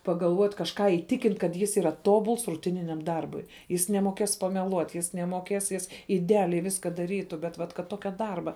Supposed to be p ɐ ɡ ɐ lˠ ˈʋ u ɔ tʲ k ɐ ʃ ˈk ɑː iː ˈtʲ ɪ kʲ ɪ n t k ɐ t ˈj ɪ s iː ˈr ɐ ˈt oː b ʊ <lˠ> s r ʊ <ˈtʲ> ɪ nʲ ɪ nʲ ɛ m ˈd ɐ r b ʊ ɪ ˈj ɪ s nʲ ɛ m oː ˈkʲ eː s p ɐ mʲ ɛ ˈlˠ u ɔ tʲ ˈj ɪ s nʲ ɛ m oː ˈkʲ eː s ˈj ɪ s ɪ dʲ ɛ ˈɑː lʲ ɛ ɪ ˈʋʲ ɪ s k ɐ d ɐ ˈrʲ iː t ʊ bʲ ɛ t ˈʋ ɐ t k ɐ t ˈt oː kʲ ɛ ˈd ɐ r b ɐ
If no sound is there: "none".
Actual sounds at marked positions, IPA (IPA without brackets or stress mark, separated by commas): lˠ, tʲ